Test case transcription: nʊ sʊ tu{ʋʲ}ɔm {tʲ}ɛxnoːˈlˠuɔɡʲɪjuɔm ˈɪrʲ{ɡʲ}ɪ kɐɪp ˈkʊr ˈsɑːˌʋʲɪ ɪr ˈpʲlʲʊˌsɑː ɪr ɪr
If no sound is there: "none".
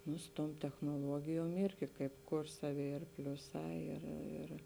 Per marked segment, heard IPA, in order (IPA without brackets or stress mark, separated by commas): none, tʲ, ɡʲ